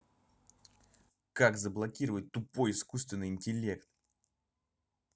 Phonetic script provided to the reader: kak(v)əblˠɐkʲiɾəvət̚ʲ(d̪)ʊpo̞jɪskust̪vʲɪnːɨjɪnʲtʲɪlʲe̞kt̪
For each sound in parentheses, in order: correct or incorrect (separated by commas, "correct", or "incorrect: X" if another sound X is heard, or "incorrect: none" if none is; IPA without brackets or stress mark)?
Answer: incorrect: z, incorrect: t̪